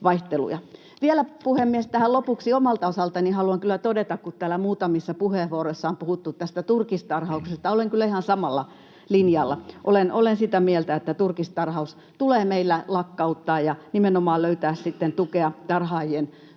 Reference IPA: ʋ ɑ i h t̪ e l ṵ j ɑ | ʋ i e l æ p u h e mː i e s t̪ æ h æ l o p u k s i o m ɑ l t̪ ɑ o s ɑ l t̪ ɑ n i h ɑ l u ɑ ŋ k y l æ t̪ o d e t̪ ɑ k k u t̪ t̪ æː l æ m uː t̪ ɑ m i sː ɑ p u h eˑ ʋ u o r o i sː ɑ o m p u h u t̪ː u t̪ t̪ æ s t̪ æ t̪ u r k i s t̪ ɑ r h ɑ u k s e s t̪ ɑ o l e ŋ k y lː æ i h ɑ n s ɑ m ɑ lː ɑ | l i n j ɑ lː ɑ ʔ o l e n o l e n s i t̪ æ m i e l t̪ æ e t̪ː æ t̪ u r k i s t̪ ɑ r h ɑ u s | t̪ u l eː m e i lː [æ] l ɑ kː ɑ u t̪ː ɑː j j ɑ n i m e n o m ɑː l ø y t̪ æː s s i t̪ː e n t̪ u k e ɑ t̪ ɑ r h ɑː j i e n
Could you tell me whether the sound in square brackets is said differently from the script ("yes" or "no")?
no